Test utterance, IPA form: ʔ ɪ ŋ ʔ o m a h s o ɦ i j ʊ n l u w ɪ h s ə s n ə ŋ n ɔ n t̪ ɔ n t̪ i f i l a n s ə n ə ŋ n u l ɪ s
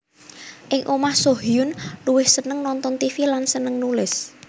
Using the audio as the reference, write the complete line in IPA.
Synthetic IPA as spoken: ʔ ɪ ŋ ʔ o m a h s o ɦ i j ʊ n l u w ɪ h s ə n ə ŋ n ɔ n t̪ ɔ n t̪ i f i l a n s ə n ə ŋ n u l ɪ s